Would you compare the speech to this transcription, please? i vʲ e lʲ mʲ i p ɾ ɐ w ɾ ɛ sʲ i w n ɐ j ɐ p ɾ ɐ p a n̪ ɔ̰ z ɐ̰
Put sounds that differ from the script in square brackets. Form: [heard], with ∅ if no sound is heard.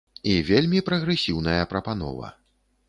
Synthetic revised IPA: i vʲ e lʲ mʲ i p ɾ ɐ [ɣ] ɾ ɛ sʲ i w n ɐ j ɐ p ɾ ɐ p a n̪ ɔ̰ [v] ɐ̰